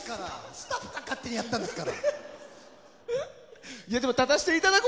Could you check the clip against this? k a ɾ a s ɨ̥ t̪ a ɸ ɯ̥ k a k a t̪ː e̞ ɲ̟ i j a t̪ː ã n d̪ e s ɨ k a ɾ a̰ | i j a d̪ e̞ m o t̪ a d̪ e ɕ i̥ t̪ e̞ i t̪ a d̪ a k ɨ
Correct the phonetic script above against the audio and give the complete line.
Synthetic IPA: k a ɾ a s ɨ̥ t̪ a ɸ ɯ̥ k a k a t̪ː e̞ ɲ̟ i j a t̪ː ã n d̪ e s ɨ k a ɾ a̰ | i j a d̪ e̞ m o t̪ a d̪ a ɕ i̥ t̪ e̞ i t̪ a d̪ a k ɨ